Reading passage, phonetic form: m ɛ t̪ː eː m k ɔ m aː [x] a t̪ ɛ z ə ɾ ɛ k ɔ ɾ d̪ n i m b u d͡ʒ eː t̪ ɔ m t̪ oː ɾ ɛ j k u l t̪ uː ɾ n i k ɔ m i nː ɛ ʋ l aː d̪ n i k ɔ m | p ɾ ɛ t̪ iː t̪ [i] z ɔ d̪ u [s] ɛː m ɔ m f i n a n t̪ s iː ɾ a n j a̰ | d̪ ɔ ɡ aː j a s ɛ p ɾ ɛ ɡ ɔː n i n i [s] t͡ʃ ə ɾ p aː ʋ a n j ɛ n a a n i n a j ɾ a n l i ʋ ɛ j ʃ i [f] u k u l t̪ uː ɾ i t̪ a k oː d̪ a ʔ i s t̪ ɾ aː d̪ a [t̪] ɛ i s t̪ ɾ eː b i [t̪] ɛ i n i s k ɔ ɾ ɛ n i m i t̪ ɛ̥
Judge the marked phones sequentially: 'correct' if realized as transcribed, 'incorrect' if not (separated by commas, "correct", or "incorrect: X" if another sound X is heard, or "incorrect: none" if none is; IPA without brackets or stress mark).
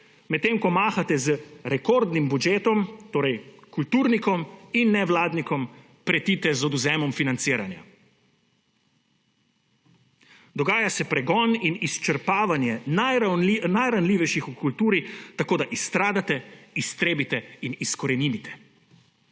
correct, incorrect: ɛ, incorrect: z, correct, incorrect: x, correct, correct